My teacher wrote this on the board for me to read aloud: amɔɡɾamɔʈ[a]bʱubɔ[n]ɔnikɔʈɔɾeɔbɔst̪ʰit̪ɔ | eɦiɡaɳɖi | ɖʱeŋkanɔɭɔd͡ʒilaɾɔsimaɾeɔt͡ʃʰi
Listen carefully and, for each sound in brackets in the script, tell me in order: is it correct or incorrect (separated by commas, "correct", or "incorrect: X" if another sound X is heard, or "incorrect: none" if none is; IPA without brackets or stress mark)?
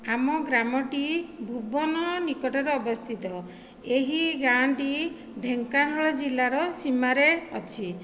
incorrect: i, correct